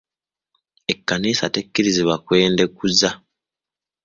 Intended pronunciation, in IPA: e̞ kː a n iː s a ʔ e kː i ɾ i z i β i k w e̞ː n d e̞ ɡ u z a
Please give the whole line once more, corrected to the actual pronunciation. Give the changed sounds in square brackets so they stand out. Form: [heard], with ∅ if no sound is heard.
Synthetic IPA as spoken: e̞ kː a n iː s a [t] e kː i ɾ i z i β [a] k w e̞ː n d e̞ [k] u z a